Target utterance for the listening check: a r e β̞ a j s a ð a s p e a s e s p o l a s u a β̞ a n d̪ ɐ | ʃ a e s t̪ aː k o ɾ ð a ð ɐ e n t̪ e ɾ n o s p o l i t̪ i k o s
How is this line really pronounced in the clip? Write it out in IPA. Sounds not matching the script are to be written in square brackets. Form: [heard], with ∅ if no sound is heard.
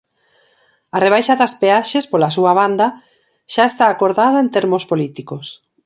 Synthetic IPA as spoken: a r e β̞ a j [ʃ] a ð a s p e a [ʃ] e s p o l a s u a β̞ a n d̪ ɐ | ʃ a e s t̪ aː k o ɾ ð a ð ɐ e n t̪ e ɾ [m] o s p o l i t̪ i k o s